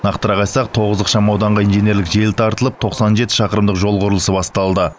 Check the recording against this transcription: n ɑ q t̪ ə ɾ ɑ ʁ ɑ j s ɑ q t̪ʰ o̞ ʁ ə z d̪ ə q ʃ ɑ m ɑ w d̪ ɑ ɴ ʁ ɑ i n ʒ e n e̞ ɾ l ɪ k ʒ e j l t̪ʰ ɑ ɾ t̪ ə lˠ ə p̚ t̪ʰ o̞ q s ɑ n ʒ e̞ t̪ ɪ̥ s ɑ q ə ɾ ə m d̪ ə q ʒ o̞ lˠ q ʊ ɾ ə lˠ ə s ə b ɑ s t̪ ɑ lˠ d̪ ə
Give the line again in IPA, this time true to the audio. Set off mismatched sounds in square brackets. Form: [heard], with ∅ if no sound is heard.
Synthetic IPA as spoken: n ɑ q t̪ ə ɾ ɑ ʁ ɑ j s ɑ q t̪ʰ o̞ ʁ ə z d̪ ə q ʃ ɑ m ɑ w d̪ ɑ ɴ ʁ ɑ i n ʒ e n e̞ ɾ l ɪ k ʒ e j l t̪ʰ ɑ ɾ t̪ ə lˠ ə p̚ t̪ʰ o̞ q s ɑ n ʒ e̞ t̪ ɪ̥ [ʃ] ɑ q ə ɾ ə m d̪ ə q ʒ o̞ lˠ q ʊ ɾ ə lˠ ə s ə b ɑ s t̪ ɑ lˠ d̪ ə